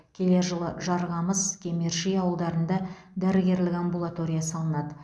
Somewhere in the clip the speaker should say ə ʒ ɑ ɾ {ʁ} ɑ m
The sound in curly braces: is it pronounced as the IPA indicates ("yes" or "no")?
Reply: yes